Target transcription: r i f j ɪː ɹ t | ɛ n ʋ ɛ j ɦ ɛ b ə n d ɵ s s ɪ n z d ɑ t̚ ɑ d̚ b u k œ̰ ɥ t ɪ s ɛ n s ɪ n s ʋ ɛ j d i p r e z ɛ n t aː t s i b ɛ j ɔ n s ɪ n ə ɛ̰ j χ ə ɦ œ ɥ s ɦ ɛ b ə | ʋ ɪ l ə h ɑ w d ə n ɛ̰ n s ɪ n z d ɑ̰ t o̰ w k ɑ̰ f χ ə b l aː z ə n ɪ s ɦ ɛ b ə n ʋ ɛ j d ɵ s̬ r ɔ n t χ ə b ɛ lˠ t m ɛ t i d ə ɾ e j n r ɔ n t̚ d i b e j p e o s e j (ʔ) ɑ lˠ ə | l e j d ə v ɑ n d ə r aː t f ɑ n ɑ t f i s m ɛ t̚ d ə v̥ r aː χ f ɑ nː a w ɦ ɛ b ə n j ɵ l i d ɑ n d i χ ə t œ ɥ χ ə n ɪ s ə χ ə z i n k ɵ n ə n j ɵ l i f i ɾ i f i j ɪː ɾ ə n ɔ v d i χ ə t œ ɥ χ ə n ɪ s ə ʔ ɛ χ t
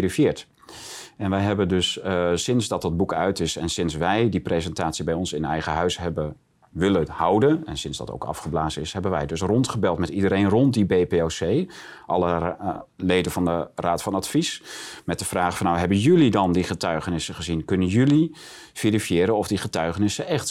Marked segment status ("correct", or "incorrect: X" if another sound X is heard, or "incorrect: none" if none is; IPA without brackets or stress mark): correct